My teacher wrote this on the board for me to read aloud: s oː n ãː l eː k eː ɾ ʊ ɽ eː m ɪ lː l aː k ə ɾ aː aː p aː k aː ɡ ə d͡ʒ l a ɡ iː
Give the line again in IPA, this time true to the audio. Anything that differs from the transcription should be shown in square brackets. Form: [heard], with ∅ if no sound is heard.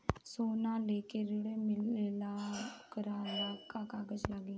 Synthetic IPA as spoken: s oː n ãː l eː k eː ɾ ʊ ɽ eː m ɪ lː l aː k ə ɾ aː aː [k] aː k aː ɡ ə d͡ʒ l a ɡ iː